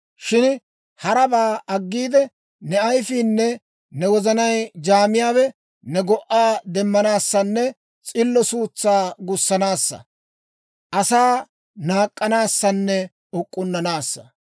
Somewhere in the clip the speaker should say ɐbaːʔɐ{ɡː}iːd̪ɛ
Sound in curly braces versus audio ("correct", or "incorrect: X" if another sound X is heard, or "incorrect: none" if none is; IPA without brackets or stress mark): correct